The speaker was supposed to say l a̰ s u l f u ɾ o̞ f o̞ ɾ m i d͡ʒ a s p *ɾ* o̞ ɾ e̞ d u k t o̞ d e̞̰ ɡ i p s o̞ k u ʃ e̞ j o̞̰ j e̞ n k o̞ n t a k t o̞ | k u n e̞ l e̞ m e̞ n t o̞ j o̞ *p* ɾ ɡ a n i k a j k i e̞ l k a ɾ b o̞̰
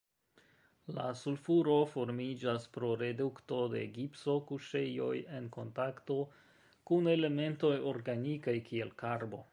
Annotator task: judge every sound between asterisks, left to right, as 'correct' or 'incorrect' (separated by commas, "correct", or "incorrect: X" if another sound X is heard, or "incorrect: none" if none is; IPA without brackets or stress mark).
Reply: correct, incorrect: none